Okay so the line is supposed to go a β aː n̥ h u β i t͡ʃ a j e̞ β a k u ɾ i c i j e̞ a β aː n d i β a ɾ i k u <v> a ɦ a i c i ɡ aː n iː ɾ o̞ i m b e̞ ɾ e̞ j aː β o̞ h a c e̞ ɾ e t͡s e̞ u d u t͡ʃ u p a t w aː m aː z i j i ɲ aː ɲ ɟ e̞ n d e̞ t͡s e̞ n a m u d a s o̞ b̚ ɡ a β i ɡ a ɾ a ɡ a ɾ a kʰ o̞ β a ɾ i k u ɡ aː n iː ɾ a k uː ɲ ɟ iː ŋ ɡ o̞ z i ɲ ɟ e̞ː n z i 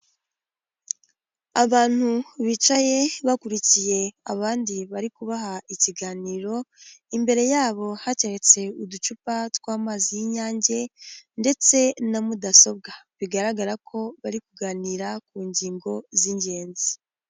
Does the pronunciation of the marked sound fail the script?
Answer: yes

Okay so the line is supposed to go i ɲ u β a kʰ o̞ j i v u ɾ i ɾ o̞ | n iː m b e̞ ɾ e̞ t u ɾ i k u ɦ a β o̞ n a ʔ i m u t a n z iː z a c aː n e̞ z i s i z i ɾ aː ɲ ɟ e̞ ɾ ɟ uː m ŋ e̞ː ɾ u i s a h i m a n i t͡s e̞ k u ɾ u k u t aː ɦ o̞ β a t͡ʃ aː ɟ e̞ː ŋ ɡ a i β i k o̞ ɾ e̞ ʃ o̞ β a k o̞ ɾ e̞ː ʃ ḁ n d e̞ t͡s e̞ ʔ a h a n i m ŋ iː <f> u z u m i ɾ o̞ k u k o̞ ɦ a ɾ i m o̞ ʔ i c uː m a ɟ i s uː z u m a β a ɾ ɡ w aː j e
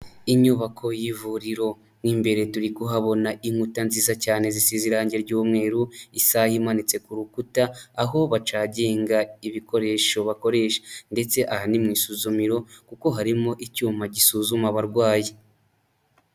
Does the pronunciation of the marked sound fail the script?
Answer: yes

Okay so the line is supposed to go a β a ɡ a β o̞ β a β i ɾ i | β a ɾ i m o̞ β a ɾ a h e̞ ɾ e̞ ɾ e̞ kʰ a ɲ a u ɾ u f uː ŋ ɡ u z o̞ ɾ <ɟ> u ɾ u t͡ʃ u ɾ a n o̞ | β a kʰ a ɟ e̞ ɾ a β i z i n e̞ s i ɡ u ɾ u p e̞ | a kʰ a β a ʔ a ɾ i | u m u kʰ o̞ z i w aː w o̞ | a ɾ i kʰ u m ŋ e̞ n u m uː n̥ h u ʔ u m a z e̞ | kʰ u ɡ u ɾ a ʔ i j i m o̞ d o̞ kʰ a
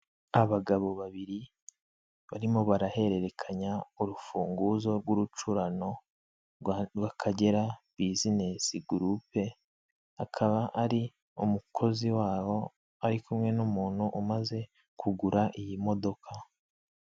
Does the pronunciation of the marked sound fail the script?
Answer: yes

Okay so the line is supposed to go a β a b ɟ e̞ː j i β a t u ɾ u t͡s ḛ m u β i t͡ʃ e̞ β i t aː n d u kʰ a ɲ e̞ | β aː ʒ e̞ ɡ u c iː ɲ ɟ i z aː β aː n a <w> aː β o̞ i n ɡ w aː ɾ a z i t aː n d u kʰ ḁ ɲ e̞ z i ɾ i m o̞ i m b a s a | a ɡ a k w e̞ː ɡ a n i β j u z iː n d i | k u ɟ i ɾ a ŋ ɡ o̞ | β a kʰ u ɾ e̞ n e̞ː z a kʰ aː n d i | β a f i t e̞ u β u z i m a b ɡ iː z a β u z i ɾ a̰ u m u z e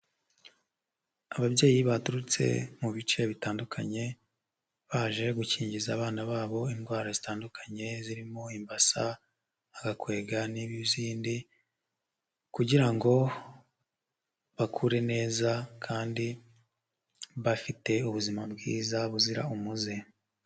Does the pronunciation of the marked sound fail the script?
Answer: yes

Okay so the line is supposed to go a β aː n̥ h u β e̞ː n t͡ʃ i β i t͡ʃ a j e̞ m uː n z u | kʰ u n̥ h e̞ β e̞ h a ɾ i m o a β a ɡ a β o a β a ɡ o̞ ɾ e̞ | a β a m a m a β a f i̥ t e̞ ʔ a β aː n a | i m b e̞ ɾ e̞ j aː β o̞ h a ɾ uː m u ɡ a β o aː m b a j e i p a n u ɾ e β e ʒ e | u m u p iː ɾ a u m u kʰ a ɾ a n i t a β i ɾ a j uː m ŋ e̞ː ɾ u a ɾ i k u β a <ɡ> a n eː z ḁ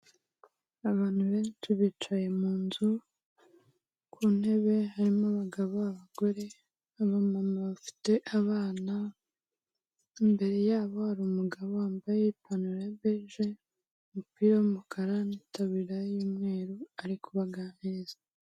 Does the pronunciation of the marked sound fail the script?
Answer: no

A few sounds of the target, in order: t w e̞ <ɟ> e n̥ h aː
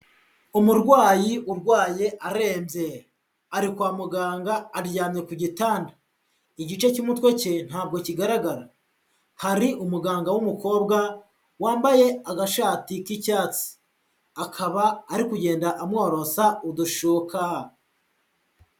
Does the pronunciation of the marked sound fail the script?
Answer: yes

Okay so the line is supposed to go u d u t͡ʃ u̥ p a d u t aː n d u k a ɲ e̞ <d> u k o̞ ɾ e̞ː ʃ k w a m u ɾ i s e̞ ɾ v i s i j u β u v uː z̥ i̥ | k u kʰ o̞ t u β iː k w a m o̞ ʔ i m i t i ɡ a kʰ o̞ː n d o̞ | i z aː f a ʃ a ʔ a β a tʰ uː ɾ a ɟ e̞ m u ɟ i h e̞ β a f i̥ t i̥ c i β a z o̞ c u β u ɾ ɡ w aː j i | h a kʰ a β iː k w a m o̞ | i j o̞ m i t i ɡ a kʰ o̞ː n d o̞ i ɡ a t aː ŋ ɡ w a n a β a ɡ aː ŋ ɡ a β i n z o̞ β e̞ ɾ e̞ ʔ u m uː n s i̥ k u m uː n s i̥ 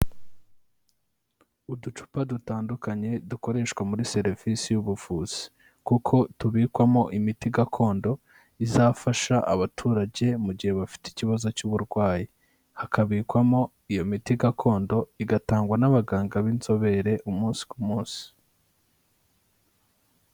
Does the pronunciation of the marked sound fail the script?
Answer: no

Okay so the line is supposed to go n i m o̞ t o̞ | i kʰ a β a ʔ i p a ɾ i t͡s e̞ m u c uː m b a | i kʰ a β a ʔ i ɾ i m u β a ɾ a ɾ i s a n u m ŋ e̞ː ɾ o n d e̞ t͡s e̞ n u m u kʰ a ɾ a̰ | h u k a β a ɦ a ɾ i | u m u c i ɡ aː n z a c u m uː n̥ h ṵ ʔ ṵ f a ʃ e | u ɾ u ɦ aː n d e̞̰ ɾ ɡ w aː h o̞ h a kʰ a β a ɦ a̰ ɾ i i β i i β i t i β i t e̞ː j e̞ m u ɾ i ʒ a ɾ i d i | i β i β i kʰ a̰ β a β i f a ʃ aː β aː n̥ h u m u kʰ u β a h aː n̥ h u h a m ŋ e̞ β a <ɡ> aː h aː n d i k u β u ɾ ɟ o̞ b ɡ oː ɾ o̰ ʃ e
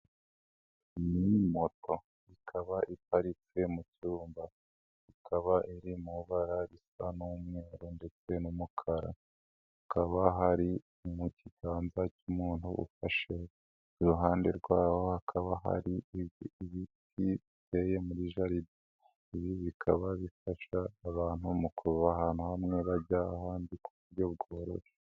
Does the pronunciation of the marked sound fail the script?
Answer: yes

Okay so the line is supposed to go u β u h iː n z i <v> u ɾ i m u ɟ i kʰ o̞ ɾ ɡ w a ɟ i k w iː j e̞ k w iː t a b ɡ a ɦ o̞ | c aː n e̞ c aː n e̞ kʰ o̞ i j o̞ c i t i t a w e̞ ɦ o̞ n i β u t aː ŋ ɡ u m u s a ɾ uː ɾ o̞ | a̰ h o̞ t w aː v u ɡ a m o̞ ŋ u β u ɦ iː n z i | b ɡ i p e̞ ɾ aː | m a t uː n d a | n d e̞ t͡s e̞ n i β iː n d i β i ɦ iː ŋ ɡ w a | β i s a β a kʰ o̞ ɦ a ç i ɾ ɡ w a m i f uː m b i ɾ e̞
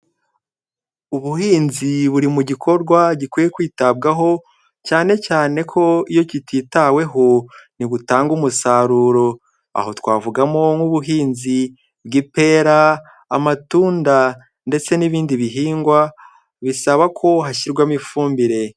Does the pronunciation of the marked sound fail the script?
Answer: yes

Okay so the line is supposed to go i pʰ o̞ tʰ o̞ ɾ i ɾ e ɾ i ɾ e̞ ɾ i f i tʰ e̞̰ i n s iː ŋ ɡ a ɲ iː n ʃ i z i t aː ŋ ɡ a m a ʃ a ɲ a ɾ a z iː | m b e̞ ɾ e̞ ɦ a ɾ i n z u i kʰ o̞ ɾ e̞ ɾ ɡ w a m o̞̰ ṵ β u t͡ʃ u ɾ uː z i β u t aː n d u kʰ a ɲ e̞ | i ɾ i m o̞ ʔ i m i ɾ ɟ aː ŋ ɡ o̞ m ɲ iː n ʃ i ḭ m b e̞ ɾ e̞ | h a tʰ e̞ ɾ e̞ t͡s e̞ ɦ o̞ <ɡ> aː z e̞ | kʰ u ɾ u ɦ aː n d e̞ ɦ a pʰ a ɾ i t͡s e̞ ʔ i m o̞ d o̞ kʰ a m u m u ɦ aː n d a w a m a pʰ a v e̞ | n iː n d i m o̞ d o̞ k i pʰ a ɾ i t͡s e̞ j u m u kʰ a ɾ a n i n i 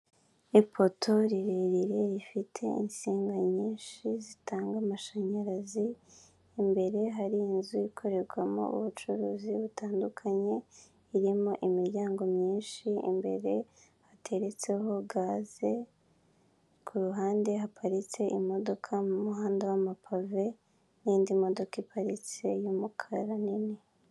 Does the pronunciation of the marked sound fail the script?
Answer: no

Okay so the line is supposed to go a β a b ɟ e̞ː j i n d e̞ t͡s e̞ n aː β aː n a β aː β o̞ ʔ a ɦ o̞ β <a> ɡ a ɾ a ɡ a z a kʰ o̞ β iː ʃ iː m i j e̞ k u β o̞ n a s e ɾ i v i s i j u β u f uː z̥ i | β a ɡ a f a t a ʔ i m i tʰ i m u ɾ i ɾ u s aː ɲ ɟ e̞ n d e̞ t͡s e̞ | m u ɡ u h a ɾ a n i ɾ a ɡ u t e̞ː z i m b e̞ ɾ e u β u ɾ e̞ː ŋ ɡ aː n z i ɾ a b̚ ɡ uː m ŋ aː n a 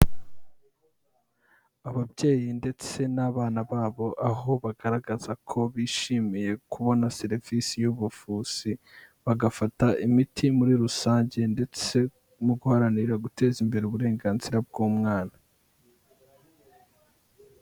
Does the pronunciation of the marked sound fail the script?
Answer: no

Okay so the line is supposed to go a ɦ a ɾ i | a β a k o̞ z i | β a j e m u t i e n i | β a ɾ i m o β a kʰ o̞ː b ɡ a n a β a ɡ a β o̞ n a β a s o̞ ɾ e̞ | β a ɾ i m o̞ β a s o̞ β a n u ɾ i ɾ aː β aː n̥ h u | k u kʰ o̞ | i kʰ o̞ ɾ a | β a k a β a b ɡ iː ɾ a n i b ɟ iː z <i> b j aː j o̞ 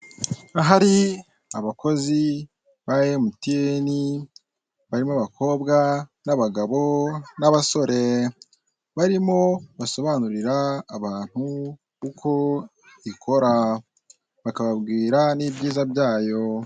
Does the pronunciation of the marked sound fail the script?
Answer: yes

